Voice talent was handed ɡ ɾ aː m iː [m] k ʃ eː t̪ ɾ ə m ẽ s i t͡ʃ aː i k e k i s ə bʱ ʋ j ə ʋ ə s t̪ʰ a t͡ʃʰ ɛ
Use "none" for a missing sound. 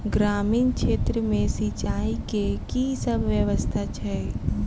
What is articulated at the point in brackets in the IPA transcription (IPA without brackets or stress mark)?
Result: n